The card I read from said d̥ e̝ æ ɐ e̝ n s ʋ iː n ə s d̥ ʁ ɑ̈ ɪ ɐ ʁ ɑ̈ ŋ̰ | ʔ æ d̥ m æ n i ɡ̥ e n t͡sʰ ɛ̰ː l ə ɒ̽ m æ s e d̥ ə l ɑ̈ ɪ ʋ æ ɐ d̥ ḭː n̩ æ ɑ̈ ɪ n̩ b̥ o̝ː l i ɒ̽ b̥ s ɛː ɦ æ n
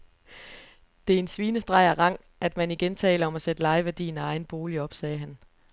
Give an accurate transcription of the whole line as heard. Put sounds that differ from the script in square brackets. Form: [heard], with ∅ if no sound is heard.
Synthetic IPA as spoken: d̥ e̝ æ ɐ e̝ n s ʋ iː n ə s d̥ ʁ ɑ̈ ɪ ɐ ʁ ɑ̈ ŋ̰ | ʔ æ d̥ m æ n i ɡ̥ e n t͡sʰ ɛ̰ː l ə ɒ̽ m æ s e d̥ ə l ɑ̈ ɪ ʋ æ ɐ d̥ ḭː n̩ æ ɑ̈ ɪ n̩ b̥ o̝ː l i ɒ̽ b̥ s ɛː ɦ æ n